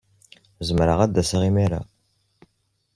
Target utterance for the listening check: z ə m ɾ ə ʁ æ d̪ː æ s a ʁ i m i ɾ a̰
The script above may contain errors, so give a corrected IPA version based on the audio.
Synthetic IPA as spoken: z ə m ɾ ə ʁ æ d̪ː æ s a ʁ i m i ɾ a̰